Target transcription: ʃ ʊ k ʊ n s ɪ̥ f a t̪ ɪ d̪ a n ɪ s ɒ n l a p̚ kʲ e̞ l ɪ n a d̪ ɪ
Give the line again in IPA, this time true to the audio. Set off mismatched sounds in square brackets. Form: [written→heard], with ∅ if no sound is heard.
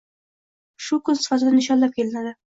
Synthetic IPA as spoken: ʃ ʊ k ʊ n s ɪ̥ f a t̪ ɪ d̪ a n ɪ [s→ʃ] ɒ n l a p̚ kʲ e̞ l ɪ n a d̪ ɪ